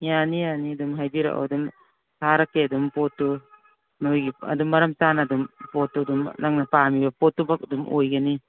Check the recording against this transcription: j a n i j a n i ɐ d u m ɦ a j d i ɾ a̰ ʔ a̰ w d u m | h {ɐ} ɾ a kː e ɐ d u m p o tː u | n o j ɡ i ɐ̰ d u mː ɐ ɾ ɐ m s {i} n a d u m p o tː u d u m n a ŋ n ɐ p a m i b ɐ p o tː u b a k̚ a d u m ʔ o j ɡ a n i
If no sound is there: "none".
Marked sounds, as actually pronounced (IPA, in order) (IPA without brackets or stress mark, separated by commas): a, a